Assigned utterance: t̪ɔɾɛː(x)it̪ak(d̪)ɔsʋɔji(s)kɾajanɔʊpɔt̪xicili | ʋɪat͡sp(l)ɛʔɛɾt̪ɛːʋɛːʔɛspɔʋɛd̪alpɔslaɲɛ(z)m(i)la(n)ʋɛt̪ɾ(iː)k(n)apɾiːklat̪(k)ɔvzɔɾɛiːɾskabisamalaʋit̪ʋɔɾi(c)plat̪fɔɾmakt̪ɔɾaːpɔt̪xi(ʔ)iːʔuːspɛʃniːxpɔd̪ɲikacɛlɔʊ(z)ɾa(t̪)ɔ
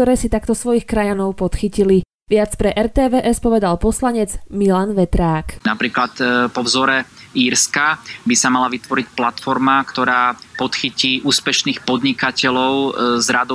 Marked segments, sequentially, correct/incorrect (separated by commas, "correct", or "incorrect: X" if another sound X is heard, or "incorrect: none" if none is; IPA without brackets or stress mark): incorrect: s, incorrect: t̪, incorrect: x, incorrect: ɾ, incorrect: d͡z, correct, correct, incorrect: aː, correct, incorrect: p, correct, incorrect: c, correct, incorrect: d̪